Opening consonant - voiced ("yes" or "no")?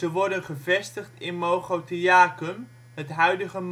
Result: yes